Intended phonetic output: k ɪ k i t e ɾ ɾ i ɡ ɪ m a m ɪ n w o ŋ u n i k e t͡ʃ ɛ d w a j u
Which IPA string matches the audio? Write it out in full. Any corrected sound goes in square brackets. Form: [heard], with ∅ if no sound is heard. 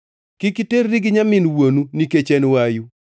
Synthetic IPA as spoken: k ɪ k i t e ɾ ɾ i ɡ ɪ [ɲ] a m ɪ n w o [n] u n i k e t͡ʃ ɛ [n] w a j u